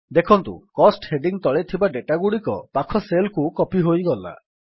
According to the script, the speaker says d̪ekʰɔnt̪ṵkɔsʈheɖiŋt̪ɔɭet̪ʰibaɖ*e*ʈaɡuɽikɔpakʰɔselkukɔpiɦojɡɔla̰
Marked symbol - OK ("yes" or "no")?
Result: yes